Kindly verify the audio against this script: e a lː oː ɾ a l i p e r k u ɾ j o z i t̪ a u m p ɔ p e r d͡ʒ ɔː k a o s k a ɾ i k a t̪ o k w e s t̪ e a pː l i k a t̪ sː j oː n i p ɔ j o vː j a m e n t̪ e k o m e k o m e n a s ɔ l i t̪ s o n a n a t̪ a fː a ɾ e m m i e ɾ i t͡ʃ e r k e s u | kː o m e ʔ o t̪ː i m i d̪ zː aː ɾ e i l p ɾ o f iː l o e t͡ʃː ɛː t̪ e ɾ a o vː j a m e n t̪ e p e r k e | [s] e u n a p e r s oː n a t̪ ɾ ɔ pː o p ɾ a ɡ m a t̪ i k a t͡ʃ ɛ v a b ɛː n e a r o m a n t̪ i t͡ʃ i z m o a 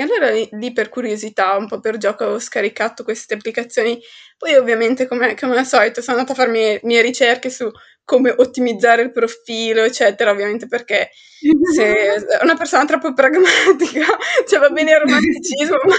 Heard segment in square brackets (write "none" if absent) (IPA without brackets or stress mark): s